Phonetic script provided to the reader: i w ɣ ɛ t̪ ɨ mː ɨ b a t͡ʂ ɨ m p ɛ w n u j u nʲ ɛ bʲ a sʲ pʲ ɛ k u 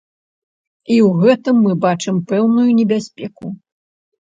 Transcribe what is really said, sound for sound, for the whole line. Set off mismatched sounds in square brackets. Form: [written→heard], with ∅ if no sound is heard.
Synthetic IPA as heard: i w ɣ ɛ t̪ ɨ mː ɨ b a t͡ʂ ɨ m p ɛ w n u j u nʲ ɛ bʲ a sʲ pʲ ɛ k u